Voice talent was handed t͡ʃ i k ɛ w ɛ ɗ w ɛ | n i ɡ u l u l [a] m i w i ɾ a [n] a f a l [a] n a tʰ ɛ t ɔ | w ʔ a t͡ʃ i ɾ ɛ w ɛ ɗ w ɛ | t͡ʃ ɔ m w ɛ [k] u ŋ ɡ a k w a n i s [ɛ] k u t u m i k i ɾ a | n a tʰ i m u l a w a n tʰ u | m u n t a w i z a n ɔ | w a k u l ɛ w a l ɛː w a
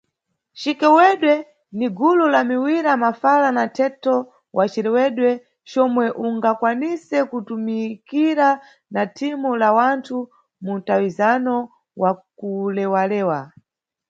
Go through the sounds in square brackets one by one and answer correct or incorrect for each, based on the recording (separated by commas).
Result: correct, incorrect, correct, incorrect, correct